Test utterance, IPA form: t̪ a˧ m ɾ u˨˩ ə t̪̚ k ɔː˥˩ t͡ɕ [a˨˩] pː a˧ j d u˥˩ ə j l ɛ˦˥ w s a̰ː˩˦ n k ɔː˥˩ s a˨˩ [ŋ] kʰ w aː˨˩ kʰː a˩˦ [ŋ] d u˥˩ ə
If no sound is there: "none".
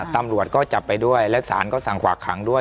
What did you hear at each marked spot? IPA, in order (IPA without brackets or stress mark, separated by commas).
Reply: a˨˩, ŋ, ŋ